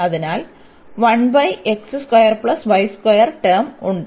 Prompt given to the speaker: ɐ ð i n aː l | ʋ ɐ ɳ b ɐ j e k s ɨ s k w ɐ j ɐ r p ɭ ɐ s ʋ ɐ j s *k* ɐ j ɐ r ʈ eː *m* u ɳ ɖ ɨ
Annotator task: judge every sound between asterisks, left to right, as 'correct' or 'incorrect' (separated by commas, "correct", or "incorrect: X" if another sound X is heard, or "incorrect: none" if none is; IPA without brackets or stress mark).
correct, correct